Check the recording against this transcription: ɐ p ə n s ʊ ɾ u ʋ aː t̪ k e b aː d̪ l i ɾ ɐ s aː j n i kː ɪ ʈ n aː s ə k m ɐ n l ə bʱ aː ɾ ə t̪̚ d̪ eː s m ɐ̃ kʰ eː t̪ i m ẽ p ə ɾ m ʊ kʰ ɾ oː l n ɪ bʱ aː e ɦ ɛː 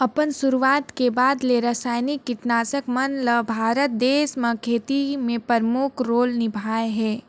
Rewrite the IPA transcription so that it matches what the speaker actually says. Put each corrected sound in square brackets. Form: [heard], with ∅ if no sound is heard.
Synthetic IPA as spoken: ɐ p ə n s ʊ ɾ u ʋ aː t̪ k e b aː d̪ l [e] ɾ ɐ s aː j n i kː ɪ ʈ n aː s ə k m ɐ n l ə bʱ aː ɾ ə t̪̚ d̪ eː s m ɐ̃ kʰ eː t̪ i m ẽ p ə ɾ m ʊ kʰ ɾ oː l n ɪ bʱ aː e ɦ ɛː